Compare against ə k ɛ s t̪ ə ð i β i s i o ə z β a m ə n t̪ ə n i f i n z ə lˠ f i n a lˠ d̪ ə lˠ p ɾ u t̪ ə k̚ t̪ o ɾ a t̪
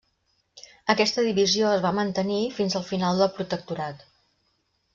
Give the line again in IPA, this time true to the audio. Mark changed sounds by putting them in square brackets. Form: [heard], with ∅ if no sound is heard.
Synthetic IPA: ə k ɛ s t̪ ə ð i β i [z] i o ə z β a m ə n t̪ ə n i f i n z ə lˠ f i n a lˠ d̪ ə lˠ p ɾ u t̪ ə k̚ t̪ [u] ɾ a t̪